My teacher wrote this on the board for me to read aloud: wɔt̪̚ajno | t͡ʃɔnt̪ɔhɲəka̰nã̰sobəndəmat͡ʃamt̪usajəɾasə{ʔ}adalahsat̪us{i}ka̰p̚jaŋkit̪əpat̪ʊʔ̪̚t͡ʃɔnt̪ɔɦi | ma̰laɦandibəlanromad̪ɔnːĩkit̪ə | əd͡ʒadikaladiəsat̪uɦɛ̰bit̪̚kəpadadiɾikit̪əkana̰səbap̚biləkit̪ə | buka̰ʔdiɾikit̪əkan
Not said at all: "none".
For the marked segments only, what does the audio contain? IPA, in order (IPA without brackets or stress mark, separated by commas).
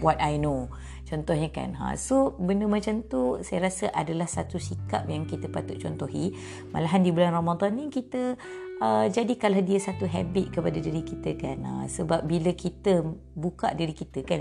ʔ, i